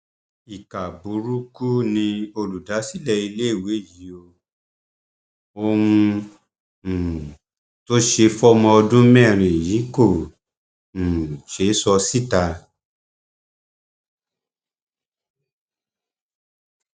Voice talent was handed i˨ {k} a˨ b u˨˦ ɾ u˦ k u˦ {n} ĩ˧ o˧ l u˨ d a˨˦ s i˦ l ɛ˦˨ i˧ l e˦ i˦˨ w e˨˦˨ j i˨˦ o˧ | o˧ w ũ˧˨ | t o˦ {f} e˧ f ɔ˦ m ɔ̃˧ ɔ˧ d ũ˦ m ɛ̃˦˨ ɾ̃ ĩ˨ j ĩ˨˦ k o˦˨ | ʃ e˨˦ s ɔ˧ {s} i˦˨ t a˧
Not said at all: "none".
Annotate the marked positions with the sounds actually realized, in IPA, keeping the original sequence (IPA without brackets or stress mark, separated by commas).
k, n, ʃ, s